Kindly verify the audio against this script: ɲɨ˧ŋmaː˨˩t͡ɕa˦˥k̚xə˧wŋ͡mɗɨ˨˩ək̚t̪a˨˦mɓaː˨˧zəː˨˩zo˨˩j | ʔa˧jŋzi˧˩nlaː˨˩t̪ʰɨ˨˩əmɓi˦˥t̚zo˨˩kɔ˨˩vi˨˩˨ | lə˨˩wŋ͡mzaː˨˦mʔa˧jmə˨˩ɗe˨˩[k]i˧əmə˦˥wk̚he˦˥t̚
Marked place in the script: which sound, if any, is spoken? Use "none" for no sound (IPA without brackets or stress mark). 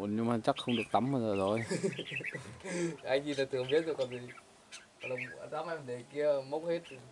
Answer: k